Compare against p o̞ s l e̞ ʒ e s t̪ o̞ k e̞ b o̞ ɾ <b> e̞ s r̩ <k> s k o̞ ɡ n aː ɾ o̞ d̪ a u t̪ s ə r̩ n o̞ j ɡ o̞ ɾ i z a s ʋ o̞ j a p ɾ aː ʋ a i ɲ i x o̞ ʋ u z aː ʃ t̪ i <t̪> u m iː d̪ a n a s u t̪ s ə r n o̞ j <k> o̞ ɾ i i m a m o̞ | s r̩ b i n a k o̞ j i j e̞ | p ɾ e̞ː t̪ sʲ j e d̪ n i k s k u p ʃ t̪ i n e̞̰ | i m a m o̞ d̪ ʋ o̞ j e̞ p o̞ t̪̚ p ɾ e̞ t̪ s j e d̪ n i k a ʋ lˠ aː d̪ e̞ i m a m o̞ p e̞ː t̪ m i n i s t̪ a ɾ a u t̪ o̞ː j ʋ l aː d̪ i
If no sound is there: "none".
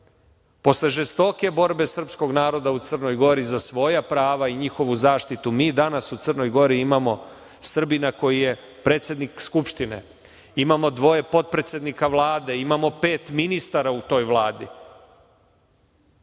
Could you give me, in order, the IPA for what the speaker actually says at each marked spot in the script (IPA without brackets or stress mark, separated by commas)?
b, p, t̪, ɡ